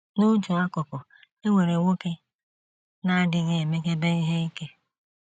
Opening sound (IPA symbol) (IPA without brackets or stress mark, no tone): n